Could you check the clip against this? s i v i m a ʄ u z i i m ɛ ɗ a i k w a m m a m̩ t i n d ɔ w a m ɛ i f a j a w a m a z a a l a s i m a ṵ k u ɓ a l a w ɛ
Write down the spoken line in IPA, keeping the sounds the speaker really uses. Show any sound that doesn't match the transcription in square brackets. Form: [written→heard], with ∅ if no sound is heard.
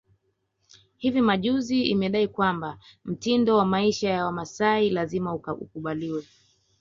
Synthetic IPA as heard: [s→h] i v i m a ʄ u z i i m ɛ ɗ a i k w a m [m→b] a m̩ t i n d ɔ w a m [ɛ→a] i [f→ʃ] a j a w a m a [z→s] a [a→i] l a [s→z] i m a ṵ k u ɓ a l [a→i] w ɛ